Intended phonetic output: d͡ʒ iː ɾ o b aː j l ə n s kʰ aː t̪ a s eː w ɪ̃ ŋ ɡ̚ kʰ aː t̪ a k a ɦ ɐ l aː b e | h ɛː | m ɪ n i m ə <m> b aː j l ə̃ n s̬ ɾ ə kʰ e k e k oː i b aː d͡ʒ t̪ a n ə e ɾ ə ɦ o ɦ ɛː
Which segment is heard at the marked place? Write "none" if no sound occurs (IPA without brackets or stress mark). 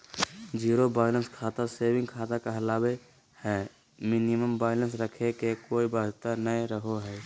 m